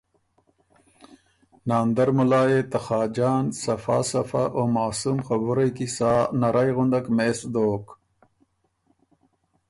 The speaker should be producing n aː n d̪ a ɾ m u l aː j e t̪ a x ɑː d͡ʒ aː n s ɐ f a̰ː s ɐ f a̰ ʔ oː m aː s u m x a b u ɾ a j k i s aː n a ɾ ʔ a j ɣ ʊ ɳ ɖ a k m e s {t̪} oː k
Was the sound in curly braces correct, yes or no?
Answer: no